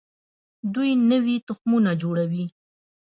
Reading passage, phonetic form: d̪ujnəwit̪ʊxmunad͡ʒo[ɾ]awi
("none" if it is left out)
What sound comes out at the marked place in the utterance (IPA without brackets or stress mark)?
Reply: ɽ